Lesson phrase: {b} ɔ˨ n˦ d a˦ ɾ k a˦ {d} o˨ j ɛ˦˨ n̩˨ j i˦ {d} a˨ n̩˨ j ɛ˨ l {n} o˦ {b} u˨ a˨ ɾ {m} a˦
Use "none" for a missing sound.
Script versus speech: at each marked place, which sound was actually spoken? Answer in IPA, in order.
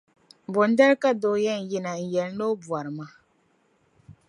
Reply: b, d, n, n, b, m

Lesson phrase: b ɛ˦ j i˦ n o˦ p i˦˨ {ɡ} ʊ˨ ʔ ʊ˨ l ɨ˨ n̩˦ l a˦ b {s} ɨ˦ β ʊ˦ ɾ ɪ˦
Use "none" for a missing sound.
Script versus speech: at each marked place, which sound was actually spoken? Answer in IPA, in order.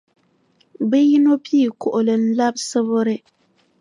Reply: k, s

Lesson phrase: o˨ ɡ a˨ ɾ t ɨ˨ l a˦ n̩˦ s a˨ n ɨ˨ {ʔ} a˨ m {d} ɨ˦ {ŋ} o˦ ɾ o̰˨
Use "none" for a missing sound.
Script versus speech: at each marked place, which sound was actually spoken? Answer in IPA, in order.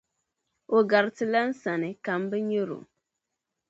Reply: k, b, ɲ

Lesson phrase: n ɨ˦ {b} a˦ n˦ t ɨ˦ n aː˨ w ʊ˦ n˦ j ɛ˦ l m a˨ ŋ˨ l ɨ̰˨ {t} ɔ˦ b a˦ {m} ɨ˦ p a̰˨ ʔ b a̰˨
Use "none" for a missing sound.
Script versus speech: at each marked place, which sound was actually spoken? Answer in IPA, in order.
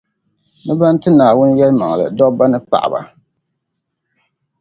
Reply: b, d, n

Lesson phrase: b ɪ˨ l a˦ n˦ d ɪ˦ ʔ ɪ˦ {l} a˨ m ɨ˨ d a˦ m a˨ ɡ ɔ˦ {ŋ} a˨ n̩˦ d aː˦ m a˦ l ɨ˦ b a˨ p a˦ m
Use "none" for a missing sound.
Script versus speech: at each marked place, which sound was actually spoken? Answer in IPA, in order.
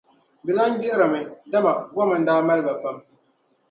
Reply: ɾ, m

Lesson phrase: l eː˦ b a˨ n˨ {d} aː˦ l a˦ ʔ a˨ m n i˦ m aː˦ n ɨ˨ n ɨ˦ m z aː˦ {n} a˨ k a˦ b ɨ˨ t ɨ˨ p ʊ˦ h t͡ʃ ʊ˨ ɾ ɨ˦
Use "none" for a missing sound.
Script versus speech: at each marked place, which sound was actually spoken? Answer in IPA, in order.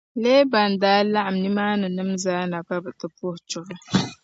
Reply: d, n

